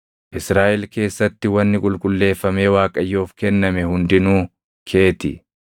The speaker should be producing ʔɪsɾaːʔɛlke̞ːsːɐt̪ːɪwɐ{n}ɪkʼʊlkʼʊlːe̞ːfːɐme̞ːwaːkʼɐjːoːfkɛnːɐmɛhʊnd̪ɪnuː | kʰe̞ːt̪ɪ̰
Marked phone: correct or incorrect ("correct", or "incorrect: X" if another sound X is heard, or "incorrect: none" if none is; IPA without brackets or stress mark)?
incorrect: nː